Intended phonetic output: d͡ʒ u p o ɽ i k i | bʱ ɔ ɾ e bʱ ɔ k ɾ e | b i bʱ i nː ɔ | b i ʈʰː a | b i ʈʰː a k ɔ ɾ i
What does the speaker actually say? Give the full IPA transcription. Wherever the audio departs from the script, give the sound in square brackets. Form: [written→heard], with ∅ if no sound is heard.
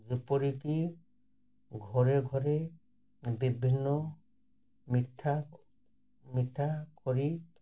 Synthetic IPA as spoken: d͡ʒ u p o [ɽ→ɾ] i k i | [bʱ→ɡʱ] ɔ ɾ e [bʱ→ɡʱ] ɔ [k→∅] ɾ e | b i bʱ i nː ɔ | [b→m] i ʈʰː a | [b→m] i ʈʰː a k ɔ ɾ i

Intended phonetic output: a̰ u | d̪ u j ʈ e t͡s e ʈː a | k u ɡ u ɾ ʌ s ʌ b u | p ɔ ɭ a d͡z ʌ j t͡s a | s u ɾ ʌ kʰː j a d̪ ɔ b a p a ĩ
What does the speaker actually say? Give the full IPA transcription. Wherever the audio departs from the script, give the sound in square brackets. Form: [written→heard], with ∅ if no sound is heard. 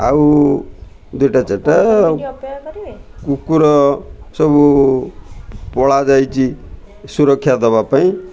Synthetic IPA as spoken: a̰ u | d̪ u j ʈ [e→a] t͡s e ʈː a | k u [ɡ→k] u ɾ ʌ s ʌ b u | p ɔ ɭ a d͡z [ʌ→a] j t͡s [a→i] | s u ɾ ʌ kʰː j a d̪ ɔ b a p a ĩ

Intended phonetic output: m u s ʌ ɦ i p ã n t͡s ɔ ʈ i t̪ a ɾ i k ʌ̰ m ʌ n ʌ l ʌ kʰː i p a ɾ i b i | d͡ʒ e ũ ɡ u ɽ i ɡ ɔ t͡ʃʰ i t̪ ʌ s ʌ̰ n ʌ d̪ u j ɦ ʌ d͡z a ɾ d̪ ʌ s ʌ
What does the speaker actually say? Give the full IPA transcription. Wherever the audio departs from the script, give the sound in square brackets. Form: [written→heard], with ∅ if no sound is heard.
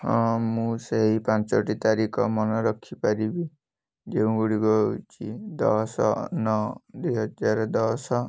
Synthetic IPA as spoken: m u s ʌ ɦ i p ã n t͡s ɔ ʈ i t̪ a ɾ i k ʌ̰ m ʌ n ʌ [l→ɾ] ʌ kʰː i p a ɾ i b i | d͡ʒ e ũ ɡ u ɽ i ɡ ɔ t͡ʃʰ i [t̪→d̪] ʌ s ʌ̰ n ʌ d̪ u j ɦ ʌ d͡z a ɾ d̪ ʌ s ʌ

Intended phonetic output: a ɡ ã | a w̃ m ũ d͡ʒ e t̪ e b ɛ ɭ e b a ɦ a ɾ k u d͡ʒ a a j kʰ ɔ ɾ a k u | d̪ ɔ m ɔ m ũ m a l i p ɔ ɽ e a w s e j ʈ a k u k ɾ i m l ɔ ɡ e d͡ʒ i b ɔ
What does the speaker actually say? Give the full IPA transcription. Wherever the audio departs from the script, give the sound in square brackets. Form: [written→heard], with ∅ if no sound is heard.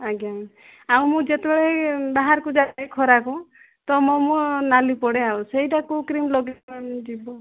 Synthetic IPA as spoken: a ɡ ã | a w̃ m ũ d͡ʒ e t̪ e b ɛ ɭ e b a ɦ a ɾ k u d͡ʒ a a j kʰ ɔ ɾ a k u | [d̪→t̪] ɔ m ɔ m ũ [m→n] a l i p ɔ ɽ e a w s e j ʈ a k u k ɾ i m l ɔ ɡ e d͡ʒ i b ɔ

